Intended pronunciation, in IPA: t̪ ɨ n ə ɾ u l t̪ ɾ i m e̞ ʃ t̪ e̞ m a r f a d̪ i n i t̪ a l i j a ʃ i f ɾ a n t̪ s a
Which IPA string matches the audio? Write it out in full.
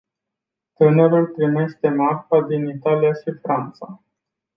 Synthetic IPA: t̪ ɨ n ə ɾ u l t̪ ɾ i m e̞ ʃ t̪ e̞ m a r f a d̪ i n i t̪ a l i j a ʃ i f ɾ a n t̪ s a

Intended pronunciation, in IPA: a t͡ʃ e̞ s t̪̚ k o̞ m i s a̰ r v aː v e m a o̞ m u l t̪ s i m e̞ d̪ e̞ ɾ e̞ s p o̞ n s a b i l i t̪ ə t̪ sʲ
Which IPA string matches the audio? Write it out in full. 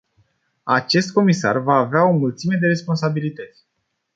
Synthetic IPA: a t͡ʃ e̞ s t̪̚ k o̞ m i s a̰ r v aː v e a o̞ m u l t̪ s i m e̞ d̪ e̞ ɾ e̞ s p o̞ n s a b i l i t̪ ə t̪ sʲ

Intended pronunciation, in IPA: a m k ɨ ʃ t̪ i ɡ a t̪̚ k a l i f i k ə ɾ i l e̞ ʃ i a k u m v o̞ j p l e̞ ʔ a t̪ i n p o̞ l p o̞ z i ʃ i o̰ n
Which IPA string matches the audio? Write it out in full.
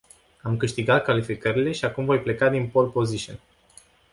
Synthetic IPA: a m k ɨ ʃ t̪ i ɡ a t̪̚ k a l i f i k ə ɾ i l e̞ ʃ i a k u m v o̞ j p l e̞ k a d̪ i n p o̞ l p o̞ z i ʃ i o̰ n

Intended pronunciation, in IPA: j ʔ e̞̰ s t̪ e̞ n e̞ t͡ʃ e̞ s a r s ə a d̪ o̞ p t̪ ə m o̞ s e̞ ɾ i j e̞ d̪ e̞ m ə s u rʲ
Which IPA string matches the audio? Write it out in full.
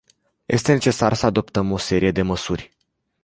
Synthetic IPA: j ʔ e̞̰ s t̪ e̞ n e̞ t͡ʃ e̞ s a r s ə a d̪ o̞ p t̪ ə m o̞ s e̞ ɾ i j e̞ d̪ e̞ m ə s u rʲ

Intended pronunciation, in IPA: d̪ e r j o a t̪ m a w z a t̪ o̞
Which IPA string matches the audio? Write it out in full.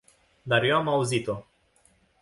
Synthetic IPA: d̪ a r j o a m a u z i t̪ o̞

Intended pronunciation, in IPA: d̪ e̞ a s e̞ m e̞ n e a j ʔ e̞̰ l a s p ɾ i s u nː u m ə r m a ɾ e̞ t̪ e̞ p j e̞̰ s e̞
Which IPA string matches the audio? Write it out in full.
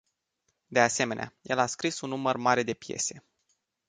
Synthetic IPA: d̪ e̞ a s e̞ m e̞ n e a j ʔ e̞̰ l a s k ɾ i s u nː u m ə r m a ɾ e̞ d̪ e̞ p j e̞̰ s e̞

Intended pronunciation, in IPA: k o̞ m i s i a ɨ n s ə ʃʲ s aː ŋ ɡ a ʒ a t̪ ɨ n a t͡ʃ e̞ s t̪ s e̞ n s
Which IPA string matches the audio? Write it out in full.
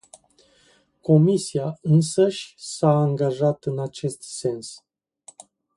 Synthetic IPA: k o̞ m i s i a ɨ n s ə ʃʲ s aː ŋ ɡ a ʒ a t̪ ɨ n a t͡ʃ e̞ s t̪ s e̞ n s

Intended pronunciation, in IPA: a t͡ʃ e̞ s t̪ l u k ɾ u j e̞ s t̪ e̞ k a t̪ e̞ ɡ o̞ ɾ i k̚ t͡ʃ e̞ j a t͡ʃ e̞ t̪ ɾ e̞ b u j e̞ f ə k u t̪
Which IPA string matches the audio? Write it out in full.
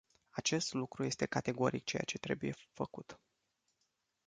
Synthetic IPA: a t͡ʃ e̞ s t̪ l u k ɾ u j e̞ s t̪ e̞ k a t̪ e̞ ɡ o̞ ɾ i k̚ t͡ʃ e̞ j a t͡ʃ e̞ t̪ ɾ e̞ b u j e̞ f ə k u t̪

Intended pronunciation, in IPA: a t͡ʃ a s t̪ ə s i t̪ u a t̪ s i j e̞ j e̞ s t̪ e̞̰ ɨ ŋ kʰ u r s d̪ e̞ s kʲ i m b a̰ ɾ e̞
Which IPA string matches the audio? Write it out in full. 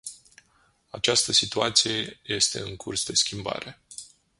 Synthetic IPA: a t͡ʃ a s t̪ ə s i t̪ u a t̪ s i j e̞ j e̞ s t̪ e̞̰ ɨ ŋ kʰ u r s d̪ e̞ s kʲ i m b a̰ ɾ e̞

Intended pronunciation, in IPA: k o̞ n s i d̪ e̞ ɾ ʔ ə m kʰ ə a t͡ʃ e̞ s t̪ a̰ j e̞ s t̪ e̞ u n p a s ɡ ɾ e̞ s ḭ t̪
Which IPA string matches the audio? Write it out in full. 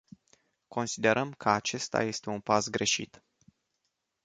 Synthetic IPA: k o̞ n s i d̪ e̞ ɾ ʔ ə m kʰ ə a t͡ʃ e̞ s t̪ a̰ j e̞ s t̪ e̞ u n p a s ɡ ɾ e̞ ʃ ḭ t̪

